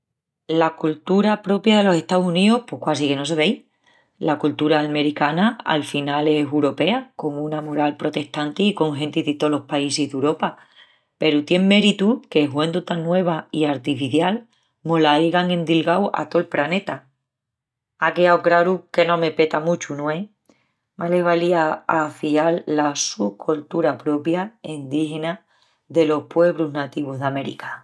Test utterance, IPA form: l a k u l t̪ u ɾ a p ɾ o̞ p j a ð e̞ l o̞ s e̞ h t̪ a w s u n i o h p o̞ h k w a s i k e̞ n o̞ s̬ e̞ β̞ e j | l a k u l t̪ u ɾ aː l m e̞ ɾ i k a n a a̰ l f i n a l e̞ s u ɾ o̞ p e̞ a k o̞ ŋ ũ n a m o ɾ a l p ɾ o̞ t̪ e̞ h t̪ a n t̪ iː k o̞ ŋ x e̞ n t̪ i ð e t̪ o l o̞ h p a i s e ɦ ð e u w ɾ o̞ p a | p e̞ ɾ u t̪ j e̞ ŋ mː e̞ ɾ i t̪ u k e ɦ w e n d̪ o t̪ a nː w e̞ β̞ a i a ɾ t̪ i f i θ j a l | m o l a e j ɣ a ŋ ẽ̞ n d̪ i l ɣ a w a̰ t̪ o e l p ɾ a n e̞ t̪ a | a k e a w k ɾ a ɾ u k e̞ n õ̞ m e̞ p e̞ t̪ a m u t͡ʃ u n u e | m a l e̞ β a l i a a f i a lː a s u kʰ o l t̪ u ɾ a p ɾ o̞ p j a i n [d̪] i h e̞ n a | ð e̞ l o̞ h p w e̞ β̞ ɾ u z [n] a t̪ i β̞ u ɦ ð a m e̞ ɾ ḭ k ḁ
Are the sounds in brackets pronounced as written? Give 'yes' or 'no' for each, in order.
yes, yes

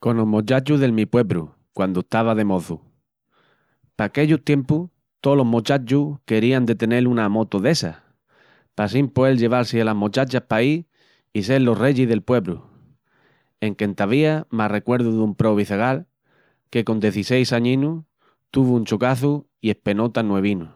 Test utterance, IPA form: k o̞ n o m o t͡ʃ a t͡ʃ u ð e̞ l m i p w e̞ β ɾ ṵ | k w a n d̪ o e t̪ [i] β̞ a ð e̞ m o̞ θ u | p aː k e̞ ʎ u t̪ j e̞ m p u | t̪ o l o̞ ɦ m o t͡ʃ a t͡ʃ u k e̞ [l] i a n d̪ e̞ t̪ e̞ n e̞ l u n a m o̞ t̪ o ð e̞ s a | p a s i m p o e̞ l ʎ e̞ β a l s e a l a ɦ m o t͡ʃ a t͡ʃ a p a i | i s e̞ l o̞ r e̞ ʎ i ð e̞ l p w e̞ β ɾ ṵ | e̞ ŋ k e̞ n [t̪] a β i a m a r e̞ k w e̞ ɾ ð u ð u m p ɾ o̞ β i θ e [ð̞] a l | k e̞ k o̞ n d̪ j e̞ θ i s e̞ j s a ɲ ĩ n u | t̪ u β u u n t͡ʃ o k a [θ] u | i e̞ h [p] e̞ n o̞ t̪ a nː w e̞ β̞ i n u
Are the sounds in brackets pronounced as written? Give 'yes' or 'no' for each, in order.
no, no, yes, no, yes, yes

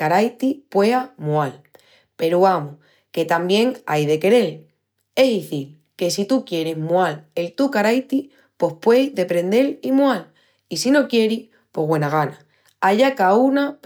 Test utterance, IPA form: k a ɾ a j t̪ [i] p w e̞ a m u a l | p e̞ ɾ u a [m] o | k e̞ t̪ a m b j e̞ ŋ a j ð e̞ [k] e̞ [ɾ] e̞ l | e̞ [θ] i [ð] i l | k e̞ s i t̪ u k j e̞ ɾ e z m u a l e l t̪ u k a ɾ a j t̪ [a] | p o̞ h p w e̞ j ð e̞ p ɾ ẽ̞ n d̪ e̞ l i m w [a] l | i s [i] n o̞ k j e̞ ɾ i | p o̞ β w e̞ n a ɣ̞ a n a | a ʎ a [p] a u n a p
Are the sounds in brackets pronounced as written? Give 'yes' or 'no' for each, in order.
yes, yes, yes, yes, no, no, no, yes, yes, no

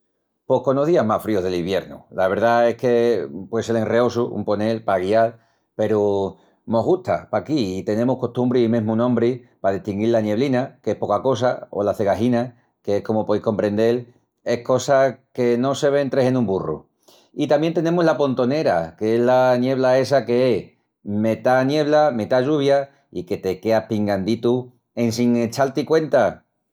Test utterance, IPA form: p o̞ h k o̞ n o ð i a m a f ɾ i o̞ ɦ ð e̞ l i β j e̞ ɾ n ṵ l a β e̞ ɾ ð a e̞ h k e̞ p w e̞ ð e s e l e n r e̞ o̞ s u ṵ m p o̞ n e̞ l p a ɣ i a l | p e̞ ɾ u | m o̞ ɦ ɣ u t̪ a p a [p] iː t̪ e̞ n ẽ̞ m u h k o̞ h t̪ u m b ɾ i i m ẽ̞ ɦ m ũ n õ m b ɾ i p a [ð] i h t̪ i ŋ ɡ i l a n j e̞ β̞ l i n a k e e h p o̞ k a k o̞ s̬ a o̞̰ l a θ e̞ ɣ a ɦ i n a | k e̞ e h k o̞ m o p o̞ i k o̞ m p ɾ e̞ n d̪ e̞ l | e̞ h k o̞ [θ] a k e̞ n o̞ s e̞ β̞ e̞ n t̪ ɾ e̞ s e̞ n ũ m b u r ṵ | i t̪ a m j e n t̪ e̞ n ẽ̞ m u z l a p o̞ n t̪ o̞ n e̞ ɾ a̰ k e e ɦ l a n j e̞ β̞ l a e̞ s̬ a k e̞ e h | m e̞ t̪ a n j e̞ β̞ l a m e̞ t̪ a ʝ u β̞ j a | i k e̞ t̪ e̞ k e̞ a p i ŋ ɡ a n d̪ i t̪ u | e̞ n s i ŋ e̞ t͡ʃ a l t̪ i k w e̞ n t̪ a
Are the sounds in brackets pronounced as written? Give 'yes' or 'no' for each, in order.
no, yes, no

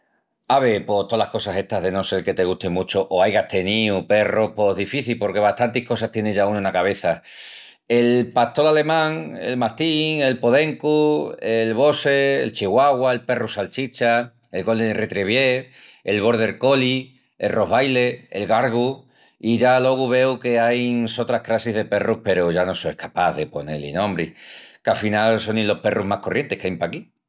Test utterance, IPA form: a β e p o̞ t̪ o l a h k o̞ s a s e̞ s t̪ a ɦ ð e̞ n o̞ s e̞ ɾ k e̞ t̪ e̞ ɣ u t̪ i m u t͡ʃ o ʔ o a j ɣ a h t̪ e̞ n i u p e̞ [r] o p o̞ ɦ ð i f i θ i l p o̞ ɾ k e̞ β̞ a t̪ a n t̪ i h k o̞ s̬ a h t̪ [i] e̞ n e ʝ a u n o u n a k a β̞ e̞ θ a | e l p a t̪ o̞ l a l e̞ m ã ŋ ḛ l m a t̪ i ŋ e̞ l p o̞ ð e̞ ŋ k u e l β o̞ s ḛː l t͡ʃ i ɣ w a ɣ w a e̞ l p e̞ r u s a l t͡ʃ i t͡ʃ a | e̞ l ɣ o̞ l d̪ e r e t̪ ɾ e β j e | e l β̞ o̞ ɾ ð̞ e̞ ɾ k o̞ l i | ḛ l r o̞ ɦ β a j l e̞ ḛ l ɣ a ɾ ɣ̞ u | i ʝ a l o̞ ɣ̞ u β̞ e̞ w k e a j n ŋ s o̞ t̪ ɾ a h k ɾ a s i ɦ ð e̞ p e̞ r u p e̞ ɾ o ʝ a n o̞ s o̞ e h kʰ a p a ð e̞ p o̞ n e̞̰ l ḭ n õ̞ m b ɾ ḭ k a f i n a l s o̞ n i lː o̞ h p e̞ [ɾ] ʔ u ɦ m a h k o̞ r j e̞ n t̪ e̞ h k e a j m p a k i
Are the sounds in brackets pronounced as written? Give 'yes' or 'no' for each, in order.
yes, no, no

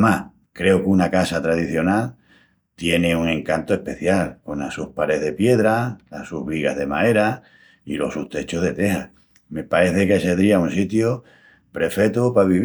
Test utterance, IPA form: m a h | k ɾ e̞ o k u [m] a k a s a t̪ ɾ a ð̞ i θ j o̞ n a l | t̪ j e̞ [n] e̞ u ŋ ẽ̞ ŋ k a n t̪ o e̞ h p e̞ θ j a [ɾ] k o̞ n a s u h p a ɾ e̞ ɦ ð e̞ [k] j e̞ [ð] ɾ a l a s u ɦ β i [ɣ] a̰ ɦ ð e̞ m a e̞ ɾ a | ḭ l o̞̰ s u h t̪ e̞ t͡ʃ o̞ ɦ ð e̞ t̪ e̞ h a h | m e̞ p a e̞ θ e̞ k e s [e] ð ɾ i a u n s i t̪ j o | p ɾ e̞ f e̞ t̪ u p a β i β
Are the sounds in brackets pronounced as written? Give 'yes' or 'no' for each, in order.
no, yes, no, no, yes, yes, yes

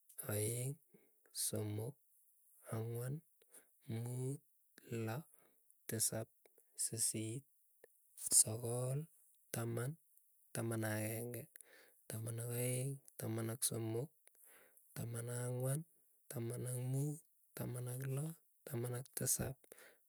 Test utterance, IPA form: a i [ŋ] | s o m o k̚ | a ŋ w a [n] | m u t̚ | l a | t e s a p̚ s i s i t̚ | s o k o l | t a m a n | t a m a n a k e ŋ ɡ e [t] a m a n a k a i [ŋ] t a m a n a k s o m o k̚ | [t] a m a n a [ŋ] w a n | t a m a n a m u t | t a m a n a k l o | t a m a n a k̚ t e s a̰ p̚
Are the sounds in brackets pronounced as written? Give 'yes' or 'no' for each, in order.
yes, yes, yes, yes, yes, yes

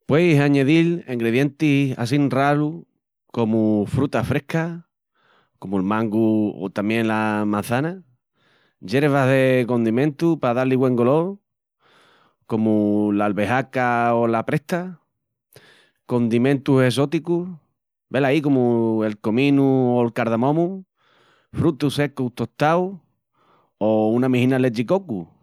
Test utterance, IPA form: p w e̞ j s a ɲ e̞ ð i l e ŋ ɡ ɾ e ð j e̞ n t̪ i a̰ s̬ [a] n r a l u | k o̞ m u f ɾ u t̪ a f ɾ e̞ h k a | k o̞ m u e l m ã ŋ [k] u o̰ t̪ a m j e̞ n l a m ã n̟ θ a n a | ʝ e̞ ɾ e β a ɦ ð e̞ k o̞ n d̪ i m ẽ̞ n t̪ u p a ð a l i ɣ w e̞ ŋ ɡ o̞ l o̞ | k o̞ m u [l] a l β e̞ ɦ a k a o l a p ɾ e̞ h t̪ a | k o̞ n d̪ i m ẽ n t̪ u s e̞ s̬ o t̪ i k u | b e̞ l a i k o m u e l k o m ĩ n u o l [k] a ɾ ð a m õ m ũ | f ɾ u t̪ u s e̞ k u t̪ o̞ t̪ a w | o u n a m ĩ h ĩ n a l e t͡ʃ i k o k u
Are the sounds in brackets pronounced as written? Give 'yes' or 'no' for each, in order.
no, no, yes, yes

